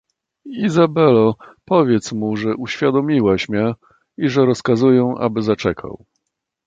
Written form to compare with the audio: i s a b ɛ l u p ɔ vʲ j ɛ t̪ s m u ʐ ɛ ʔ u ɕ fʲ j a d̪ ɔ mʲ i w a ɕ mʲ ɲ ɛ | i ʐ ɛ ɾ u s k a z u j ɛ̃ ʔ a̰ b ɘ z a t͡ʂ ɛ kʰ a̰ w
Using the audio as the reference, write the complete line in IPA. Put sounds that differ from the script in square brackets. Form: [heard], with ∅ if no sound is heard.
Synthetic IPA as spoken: i [z] a b ɛ l [ɔ] p ɔ vʲ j ɛ t̪ s m u ʐ ɛ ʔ u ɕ fʲ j a d̪ ɔ mʲ i w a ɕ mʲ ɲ ɛ | i ʐ ɛ ɾ [ɔ] s k a z u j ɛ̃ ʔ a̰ b ɘ z a t͡ʂ ɛ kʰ a̰ w